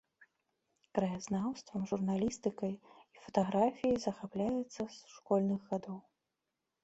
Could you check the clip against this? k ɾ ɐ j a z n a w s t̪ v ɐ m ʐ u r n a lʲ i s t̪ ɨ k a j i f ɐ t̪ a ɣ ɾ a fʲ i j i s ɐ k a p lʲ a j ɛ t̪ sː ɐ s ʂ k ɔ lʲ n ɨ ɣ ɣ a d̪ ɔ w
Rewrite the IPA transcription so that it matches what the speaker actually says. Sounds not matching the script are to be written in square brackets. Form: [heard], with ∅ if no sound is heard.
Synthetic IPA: k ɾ ɐ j a z n a w s t̪ v ɐ m ʐ u r n a lʲ i s t̪ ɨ k [ɐ] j i f ɐ t̪ a ɣ ɾ a fʲ i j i [z] ɐ [x] a p lʲ a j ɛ t̪ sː ɐ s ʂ k ɔ lʲ n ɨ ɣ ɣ a d̪ ɔ w